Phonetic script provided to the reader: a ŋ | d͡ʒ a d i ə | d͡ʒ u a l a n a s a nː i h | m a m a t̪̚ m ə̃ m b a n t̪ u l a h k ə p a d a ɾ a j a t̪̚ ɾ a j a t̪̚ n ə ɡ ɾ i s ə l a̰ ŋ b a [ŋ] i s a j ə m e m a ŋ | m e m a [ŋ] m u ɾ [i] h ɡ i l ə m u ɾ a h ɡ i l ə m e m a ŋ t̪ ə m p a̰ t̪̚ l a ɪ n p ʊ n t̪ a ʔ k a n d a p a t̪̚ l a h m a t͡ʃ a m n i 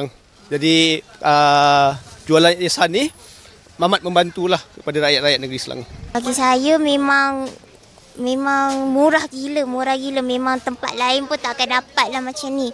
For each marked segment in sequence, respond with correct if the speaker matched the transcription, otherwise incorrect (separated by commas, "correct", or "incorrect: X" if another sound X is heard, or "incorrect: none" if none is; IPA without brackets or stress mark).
incorrect: ɡ, correct, incorrect: a